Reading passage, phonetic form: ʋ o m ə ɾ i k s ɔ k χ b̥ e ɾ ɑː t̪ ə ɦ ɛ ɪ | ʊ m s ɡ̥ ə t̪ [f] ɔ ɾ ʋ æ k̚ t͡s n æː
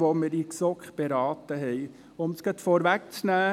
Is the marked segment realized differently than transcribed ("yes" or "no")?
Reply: no